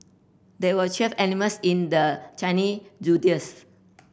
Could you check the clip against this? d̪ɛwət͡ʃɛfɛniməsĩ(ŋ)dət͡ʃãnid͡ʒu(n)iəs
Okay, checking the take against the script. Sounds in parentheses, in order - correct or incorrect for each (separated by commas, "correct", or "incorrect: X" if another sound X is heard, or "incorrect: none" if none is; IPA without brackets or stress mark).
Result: incorrect: n, incorrect: d